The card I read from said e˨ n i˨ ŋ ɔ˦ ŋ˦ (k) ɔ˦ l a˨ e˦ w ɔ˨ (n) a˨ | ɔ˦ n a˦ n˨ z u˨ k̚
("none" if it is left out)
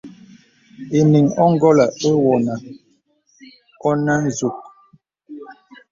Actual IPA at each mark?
ɡ, n

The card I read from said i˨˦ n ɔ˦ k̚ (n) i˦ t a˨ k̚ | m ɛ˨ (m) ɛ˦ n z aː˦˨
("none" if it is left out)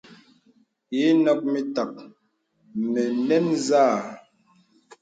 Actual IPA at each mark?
m, n

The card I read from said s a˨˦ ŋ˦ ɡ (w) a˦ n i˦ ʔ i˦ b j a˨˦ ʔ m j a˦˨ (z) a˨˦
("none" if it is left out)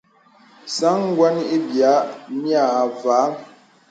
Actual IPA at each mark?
w, v

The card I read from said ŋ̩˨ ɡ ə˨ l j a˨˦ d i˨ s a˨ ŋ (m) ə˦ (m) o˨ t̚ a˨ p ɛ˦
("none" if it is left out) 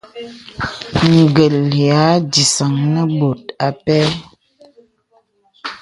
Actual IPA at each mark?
n, b

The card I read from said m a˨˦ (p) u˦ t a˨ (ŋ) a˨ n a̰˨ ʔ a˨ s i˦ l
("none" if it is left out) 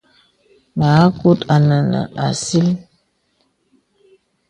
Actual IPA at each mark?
k, n

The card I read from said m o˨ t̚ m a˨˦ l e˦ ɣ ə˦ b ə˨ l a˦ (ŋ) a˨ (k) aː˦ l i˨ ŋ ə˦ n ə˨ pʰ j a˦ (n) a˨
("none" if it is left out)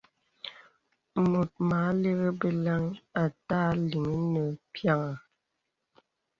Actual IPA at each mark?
ŋ, t, ŋ

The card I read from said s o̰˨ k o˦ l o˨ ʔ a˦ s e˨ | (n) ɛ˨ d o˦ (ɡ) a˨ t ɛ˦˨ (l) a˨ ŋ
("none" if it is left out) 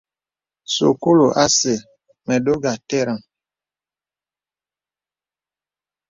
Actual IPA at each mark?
m, ɡ, ɾ

